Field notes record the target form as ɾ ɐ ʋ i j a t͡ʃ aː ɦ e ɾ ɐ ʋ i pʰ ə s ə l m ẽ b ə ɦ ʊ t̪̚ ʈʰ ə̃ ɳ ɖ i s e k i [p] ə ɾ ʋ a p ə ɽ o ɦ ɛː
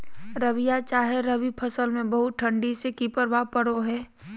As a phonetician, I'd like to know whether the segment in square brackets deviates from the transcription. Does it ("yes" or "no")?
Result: no